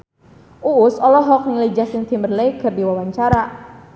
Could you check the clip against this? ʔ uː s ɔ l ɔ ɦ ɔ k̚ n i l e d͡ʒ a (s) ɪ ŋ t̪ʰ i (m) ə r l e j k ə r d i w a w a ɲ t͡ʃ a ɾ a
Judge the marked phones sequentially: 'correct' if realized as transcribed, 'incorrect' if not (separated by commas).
correct, correct